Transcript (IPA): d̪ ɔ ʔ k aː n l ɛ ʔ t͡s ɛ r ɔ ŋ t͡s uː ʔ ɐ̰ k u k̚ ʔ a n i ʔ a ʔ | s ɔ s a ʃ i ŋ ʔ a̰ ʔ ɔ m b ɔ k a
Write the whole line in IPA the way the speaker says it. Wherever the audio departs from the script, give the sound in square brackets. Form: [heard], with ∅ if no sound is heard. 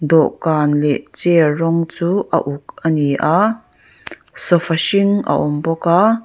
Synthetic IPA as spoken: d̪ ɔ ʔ k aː n l ɛ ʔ t͡s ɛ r ɔ ŋ t͡s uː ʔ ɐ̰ [ʔ] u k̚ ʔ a n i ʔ a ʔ | s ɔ [f] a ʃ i ŋ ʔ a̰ ʔ ɔ m b ɔ k a

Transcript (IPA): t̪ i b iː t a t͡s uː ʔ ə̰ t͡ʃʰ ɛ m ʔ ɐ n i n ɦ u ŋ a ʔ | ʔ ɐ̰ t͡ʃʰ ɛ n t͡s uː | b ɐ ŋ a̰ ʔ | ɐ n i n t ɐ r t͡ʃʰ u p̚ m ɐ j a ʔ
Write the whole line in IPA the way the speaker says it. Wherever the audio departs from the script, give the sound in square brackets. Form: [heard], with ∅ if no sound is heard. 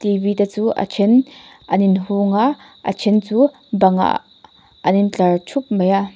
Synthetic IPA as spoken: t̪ i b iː t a t͡s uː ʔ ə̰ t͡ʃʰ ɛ [n] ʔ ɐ n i n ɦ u ŋ a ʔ | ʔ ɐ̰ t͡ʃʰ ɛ n t͡s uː | b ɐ ŋ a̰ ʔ | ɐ n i n [t͡ɬ] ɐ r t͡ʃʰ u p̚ m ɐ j a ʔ

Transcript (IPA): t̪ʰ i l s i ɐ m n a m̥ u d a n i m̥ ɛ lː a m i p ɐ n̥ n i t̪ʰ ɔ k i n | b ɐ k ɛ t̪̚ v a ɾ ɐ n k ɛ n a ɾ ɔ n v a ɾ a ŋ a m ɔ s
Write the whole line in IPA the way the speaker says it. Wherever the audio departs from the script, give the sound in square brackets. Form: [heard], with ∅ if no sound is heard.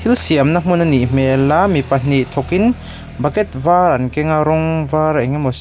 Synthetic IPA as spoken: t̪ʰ i l s i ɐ m n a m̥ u [n] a n i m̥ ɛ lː a m i p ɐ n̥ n i t̪ʰ ɔ k i n | b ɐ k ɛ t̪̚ v a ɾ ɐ n k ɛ [ŋ] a ɾ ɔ [ŋ] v a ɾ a ŋ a m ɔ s

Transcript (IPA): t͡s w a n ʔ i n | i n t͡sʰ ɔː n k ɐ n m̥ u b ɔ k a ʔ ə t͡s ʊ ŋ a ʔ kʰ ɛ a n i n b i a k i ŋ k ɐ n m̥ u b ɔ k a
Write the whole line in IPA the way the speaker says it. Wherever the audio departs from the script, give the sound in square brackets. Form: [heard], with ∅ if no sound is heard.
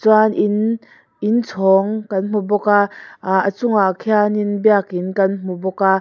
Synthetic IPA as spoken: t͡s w a n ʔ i n | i n t͡sʰ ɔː [ŋ] k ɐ n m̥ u b ɔ k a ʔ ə t͡s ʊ ŋ a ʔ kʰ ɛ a n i n b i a k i [n] k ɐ n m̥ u b ɔ k a

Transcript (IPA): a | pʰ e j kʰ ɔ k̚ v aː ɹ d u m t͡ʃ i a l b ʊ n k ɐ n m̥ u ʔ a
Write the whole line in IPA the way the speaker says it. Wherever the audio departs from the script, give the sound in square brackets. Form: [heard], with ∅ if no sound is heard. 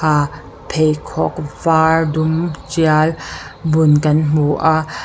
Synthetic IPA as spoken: a | pʰ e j kʰ ɔ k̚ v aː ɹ d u m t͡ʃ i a l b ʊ n k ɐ n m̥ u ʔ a

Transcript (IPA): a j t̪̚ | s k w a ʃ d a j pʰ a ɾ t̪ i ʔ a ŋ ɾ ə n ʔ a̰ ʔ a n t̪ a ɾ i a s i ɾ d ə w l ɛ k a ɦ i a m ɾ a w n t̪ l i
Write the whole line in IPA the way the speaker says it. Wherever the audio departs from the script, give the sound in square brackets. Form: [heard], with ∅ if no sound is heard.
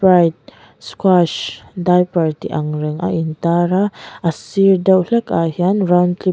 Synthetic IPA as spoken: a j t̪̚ | s k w a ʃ d a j [p] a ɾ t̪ i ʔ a ŋ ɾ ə [ŋ] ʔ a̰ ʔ [i] n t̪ a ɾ [a] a s i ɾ d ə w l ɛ k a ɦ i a [n] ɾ a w n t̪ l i

